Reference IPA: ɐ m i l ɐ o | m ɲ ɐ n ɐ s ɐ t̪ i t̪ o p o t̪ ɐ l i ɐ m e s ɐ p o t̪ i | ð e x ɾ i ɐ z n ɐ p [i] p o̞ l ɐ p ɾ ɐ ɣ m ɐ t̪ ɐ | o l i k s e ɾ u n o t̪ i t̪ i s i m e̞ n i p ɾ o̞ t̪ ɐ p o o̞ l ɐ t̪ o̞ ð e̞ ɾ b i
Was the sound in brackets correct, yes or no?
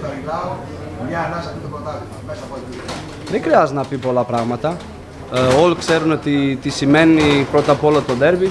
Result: yes